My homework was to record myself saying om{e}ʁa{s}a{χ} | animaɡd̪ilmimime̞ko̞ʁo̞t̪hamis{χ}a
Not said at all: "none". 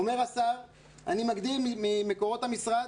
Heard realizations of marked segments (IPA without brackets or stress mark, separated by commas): e, s, ʁ, ʁ